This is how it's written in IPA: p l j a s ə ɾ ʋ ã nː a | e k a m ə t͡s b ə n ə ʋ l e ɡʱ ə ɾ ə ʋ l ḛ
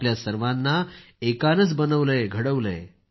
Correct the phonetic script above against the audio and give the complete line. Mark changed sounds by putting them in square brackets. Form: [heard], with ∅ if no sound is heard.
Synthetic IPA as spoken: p l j a s ə ɾ ʋ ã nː a | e k a [n] ə t͡s b ə n ə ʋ l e ɡʱ ə [ɽ] ə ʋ l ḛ